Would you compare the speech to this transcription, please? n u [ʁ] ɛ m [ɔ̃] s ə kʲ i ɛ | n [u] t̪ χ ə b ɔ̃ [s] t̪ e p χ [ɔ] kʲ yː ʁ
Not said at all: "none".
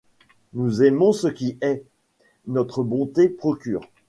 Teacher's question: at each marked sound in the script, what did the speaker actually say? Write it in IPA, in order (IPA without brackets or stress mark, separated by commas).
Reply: z, ɔ̃, ɔ, none, ɔ